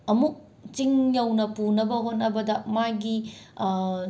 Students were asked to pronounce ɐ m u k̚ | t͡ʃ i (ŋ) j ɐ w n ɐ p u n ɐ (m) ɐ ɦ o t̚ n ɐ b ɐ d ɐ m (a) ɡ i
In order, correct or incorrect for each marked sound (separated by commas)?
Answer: correct, incorrect, correct